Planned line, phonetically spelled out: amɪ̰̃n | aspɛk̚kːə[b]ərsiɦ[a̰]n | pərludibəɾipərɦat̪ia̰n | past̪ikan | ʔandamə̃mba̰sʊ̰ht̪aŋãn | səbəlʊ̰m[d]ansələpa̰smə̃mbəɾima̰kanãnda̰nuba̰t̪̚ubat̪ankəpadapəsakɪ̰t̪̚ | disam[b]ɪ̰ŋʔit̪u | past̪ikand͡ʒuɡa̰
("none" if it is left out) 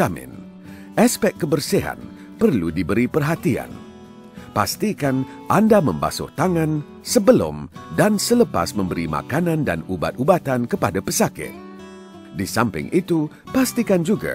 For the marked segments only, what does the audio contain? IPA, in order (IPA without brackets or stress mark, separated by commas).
b, a̰, d, p